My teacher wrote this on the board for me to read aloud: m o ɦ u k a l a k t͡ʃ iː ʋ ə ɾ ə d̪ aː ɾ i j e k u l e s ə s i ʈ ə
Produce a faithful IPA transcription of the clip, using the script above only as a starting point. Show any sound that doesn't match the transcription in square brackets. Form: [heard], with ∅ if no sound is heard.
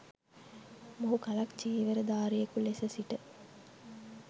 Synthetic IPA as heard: m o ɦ u k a l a k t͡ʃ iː ʋ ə ɾ ə d̪ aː ɾ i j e k u l e s ə s i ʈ ə

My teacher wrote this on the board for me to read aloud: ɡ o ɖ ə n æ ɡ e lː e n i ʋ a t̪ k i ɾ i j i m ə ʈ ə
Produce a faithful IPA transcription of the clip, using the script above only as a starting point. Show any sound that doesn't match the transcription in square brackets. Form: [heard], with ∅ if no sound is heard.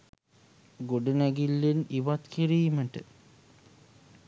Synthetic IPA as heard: ɡ o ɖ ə n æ ɡ [i] lː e n i ʋ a t̪ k i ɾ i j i m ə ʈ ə

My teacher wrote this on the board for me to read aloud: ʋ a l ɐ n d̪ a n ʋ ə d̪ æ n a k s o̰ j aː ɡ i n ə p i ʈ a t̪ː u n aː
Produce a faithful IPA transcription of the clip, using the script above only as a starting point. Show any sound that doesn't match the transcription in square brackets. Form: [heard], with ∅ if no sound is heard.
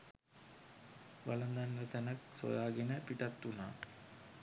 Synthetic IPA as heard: ʋ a l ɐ n d̪ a n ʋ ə [t̪] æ n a k s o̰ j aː ɡ [e] n ə p i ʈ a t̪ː u n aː

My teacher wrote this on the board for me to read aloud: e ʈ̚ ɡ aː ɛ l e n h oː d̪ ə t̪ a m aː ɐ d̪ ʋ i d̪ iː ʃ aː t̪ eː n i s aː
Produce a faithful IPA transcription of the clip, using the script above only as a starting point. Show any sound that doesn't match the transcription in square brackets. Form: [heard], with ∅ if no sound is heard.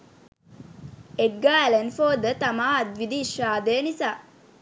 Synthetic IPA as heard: e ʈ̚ ɡ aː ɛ l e n [f] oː d̪ ə t̪ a m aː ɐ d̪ ʋ i d̪ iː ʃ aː [d̪] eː n i s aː

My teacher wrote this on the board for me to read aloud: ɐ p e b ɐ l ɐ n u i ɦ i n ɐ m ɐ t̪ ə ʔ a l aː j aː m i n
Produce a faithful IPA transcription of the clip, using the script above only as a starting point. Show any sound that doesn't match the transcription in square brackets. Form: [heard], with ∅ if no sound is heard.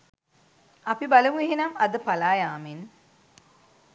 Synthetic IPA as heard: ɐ p [i] b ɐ l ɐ [m] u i ɦ i n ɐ m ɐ [d̪] ə [p] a l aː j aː m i n

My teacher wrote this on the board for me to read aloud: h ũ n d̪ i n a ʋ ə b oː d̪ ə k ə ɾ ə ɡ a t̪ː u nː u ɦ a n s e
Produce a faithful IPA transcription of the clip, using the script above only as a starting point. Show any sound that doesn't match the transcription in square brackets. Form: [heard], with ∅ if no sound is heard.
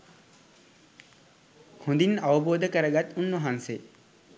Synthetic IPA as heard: h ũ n d̪ i n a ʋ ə b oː d̪ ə k ə ɾ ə ɡ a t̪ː u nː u ɦ a n s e

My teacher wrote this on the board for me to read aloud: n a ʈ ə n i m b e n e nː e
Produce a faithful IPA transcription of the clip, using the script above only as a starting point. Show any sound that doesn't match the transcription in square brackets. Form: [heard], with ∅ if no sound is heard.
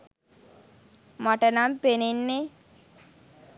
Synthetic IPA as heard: [m] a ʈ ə n [a] m [p] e n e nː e

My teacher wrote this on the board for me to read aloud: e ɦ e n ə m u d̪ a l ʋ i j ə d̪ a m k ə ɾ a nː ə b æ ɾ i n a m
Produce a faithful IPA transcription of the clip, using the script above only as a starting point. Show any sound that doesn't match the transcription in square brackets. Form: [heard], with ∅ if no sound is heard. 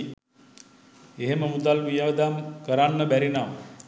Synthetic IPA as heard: e ɦ e [m] ə m u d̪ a l ʋ i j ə d̪ a m k ə ɾ a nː ə b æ ɾ i n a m

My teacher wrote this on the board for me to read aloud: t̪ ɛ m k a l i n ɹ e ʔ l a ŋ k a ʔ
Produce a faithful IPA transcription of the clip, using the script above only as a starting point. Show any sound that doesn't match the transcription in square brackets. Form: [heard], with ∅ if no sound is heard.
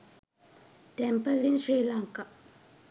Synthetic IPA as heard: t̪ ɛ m [p] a l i n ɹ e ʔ l a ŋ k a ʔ

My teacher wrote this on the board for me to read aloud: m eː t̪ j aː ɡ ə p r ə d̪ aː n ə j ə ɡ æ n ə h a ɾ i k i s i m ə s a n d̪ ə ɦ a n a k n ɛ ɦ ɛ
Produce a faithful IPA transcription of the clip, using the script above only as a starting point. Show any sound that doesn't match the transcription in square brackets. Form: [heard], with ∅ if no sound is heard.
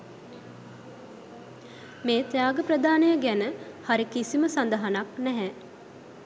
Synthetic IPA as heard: m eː t̪ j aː ɡ ə p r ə d̪ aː n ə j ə ɡ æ n ə h a ɾ i k i s i m ə s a n d̪ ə ɦ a n a k n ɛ ɦ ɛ

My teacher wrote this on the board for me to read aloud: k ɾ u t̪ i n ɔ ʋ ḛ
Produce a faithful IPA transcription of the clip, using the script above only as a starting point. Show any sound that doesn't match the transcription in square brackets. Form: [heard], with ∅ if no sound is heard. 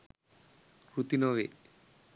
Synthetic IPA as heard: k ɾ u t̪ i n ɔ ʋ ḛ

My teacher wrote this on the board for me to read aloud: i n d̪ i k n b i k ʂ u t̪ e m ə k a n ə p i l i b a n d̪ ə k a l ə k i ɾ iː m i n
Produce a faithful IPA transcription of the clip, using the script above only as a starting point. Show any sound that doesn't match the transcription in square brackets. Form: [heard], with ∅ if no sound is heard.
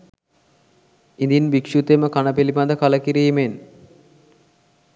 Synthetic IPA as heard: i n d̪ i [∅] n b i k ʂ u t̪ e m ə k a n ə p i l i b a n d̪ ə k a l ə k i ɾ iː m [e] n

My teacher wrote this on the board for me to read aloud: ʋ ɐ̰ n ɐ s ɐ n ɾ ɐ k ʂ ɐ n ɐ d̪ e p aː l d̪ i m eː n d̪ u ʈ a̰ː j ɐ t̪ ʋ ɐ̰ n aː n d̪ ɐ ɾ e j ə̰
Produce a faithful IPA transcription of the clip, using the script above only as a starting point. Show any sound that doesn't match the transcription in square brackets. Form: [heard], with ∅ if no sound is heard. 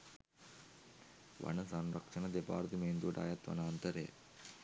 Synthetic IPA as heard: ʋ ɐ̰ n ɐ s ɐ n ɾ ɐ k ʂ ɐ n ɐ d̪ e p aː [ɾ] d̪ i m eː n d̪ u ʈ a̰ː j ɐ t̪ ʋ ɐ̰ n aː n [t̪] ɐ ɾ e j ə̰

